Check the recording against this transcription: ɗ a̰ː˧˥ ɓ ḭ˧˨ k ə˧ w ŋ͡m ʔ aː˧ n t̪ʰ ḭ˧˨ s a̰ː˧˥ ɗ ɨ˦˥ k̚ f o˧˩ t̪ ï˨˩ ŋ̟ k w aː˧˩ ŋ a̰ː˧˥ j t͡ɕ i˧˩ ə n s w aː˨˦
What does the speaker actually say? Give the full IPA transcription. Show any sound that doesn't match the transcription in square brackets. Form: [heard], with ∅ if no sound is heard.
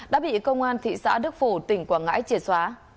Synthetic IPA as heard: ɗ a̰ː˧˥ ɓ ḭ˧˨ k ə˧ w ŋ͡m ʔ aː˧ n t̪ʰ ḭ˧˨ s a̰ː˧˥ ɗ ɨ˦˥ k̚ f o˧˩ t̪ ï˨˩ ŋ̟ k w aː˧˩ ŋ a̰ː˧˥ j t͡ɕ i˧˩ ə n s w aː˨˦